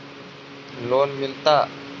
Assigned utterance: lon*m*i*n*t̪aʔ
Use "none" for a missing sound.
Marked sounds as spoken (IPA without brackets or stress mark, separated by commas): m, n